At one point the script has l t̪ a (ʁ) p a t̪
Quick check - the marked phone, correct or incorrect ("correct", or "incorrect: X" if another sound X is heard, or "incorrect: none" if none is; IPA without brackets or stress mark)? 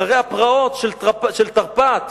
correct